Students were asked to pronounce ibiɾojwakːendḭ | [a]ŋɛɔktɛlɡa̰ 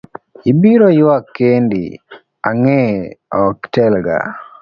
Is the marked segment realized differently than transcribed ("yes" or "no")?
no